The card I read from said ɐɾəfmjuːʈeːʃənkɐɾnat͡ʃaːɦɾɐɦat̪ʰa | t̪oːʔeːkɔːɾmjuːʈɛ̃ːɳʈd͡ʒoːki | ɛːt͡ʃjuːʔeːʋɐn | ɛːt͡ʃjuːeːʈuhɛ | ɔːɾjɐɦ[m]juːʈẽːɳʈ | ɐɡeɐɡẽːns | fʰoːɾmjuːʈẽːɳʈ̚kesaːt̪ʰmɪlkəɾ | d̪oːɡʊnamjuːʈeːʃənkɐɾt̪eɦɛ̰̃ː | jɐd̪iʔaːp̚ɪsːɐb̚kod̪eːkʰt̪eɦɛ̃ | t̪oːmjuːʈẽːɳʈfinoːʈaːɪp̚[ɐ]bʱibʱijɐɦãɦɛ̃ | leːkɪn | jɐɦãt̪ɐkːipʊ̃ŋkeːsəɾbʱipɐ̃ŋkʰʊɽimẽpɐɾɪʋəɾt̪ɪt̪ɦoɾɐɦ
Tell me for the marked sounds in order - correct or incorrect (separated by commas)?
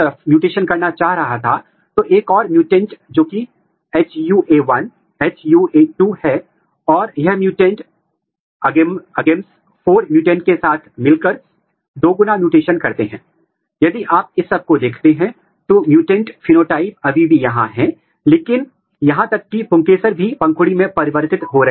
correct, correct